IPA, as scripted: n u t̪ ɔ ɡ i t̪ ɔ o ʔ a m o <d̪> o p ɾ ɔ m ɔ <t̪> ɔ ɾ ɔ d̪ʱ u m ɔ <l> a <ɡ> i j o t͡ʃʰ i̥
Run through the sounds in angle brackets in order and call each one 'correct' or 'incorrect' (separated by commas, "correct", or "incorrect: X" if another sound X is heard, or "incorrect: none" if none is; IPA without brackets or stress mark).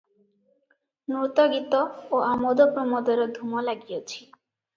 correct, incorrect: d̪, correct, correct